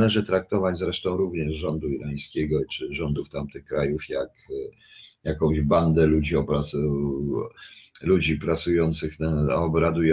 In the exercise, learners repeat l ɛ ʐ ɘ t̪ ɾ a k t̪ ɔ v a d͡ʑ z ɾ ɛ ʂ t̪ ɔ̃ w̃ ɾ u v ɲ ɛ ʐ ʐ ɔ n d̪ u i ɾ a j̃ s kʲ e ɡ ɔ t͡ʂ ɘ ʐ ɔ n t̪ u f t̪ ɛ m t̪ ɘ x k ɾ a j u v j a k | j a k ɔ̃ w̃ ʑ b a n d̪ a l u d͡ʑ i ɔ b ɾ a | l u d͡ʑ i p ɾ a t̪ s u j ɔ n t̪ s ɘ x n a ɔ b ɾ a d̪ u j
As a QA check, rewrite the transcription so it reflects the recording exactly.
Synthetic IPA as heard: l ɛ ʐ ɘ t̪ ɾ a k t̪ ɔ v a d͡ʑ z ɾ ɛ ʂ t̪ ɔ̃ w̃ ɾ u v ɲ ɛ ʐ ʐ ɔ n d̪ u i ɾ a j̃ s kʲ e ɡ ɔ t͡ʂ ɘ ʐ ɔ n d̪ u f t̪ a m t̪ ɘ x k ɾ a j u f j a k | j a k ɔ̃ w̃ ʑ b a n d̪ ɛ l u d͡ʑ i ɔ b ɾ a | l u d͡ʑ i p ɾ a t̪ s u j ɔ n t̪ s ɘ x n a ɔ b ɾ a d̪ u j